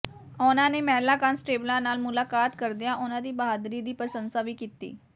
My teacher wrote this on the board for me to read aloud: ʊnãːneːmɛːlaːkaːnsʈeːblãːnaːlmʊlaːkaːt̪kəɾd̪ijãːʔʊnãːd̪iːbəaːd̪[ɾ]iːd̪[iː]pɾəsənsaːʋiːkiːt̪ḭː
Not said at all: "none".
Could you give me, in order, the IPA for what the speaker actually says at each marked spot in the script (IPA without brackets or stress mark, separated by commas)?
ɾ, iː